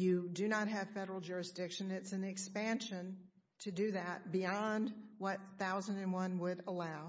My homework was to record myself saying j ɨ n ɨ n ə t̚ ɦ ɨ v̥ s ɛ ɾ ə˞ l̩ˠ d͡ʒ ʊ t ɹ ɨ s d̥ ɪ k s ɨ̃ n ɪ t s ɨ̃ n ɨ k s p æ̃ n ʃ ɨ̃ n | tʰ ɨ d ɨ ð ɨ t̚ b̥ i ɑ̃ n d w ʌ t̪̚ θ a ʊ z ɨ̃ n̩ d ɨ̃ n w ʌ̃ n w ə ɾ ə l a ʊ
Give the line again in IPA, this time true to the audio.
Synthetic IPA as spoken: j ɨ d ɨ n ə t̚ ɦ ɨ v̥ f ɛ ɾ ə˞ l̩ˠ d͡ʒ ʊ ɹ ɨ s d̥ ɪ k ʃ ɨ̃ n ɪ t s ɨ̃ n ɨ k s p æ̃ n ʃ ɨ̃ n | tʰ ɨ d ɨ ð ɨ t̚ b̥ i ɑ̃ n d w ʌ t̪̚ θ a ʊ z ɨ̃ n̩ d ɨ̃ n w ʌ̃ n w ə ɾ ə l a ʊ